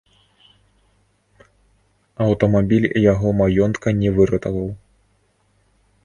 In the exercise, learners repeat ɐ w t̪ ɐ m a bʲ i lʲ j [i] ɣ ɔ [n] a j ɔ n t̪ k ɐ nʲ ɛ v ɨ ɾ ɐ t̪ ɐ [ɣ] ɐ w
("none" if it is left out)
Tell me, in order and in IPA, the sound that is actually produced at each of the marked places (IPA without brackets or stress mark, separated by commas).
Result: a, m, v